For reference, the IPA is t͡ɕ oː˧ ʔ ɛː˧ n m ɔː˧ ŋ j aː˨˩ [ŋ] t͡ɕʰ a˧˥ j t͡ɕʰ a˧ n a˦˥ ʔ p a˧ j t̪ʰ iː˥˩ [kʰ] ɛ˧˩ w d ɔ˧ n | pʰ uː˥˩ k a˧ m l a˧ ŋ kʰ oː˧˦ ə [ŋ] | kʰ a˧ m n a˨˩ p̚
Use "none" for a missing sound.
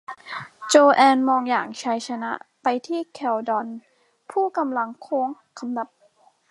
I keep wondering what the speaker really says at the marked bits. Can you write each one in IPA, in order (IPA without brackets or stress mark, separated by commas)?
ŋ, kʰ, ŋ